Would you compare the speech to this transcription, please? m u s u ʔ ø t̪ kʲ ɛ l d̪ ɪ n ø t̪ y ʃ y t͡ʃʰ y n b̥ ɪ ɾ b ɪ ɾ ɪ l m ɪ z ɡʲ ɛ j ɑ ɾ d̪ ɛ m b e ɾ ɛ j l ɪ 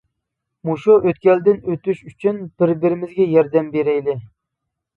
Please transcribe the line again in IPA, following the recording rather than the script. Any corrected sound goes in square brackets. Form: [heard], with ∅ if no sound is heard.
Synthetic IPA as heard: m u [ʃ] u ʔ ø t̪ kʲ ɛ l d̪ ɪ n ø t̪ y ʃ y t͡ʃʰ y n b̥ ɪ ɾ b ɪ ɾ ɪ [∅] m ɪ z ɡʲ ɛ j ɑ ɾ d̪ ɛ m b e ɾ ɛ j l ɪ